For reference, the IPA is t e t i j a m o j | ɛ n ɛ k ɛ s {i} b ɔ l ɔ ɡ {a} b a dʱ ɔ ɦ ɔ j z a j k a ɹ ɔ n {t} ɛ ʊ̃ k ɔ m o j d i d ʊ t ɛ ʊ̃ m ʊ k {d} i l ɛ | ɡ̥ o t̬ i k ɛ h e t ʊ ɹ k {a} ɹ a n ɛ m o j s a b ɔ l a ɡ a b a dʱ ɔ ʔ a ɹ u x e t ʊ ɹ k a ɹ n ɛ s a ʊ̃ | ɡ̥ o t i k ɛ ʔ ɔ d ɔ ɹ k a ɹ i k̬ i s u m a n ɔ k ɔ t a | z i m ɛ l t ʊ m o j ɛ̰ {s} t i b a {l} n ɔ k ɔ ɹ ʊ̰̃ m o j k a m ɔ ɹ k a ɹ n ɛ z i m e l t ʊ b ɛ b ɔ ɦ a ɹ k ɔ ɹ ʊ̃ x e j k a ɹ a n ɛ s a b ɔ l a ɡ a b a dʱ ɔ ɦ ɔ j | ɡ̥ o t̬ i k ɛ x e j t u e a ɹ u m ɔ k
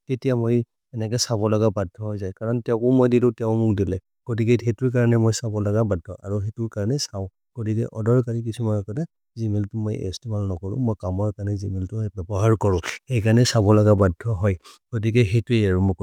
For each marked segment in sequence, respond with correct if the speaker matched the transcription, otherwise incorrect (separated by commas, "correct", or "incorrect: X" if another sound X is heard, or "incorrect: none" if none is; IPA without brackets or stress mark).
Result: incorrect: a, correct, correct, correct, correct, correct, correct